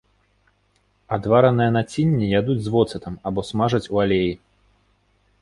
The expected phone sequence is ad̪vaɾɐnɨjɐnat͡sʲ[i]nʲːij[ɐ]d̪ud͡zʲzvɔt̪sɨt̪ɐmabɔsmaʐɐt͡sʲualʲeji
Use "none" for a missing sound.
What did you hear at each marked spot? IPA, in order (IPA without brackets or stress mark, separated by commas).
i, a